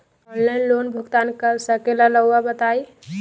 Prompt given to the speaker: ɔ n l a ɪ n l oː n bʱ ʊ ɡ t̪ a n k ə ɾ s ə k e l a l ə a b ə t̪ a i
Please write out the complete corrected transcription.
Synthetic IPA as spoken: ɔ n l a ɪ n l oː n bʱ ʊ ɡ t̪ a n k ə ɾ s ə k e l a l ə a b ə t̪ a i